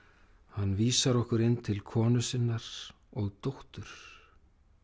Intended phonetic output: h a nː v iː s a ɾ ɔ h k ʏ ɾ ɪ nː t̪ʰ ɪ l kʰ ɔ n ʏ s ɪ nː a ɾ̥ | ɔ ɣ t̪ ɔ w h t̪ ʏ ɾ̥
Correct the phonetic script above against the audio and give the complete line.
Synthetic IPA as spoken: h a nː v iː s a ɾ ɔ h k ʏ ɾ ɪ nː t̪ʰ ɪ l kʰ ɔː n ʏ s ɪ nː a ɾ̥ | ɔ ɣ t̪ o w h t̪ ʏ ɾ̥